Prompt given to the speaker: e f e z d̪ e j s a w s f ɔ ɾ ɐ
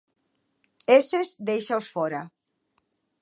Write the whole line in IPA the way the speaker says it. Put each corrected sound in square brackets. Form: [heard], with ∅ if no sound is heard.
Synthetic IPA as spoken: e [s] e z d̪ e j [ʃ] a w s f ɔ ɾ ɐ